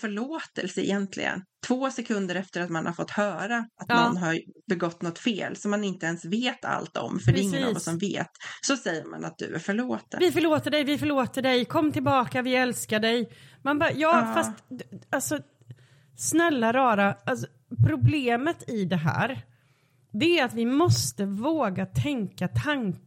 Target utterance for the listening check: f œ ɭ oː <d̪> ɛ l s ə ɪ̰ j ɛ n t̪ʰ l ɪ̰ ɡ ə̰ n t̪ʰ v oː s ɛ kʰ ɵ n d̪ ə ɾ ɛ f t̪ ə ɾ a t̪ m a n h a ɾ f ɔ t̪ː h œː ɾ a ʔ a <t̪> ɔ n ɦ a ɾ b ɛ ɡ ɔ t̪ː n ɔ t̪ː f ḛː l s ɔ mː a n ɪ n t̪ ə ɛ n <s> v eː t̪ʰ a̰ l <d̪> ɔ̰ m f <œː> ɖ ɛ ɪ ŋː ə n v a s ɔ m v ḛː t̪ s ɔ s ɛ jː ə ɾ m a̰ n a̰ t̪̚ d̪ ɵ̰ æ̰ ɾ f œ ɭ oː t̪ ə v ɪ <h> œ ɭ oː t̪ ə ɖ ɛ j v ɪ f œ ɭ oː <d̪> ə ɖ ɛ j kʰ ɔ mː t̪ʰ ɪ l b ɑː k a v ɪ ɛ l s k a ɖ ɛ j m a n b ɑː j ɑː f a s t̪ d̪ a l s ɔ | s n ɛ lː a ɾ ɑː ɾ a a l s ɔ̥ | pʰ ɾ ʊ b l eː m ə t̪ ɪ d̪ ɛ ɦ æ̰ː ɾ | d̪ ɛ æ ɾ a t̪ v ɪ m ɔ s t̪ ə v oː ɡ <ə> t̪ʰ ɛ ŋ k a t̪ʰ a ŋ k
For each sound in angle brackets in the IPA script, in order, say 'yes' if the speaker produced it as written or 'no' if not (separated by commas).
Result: no, yes, yes, no, no, no, no, no